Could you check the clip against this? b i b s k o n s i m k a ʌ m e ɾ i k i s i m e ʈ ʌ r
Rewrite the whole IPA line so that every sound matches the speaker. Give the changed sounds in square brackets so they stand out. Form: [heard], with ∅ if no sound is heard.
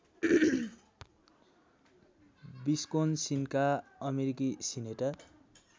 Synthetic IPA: b i [∅] s k o n s i [n] k a ʌ m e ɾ i k i s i [n] e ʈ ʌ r

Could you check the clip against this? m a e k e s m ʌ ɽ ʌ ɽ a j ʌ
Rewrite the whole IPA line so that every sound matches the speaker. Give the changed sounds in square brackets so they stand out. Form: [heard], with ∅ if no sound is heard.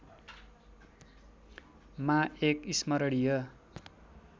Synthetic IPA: m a e k [i] s m ʌ [ɾ] ʌ ɽ [i] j ʌ

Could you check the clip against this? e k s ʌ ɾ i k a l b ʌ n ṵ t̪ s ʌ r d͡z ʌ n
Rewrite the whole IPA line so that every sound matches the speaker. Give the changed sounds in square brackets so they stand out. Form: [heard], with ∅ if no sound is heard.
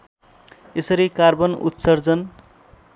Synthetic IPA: e [∅] s ʌ ɾ i k a [r] b ʌ n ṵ t̪ s ʌ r d͡z ʌ n

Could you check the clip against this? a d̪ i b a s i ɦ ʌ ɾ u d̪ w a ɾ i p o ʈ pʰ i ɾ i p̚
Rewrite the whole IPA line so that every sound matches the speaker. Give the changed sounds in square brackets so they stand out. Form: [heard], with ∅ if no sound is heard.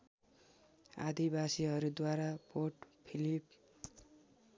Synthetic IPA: a d̪ i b a s i ɦ ʌ ɾ u d̪ w a ɾ [a] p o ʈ pʰ i [l] i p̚

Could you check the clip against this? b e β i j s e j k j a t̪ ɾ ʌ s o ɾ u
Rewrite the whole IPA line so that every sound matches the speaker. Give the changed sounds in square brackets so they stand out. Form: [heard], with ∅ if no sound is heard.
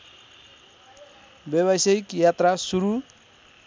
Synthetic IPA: b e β [a] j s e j k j a t̪ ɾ [a] s [u] ɾ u

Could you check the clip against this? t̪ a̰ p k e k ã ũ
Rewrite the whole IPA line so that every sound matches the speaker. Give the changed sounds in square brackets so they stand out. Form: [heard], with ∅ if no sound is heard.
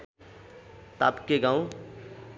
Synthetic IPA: t̪ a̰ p k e [ɡ] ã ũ

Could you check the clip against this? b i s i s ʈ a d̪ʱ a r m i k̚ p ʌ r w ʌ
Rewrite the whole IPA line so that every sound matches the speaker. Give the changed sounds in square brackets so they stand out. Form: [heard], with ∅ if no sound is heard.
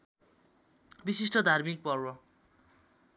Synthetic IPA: b i s i s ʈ [ʌ] d̪ʱ a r m i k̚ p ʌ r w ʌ

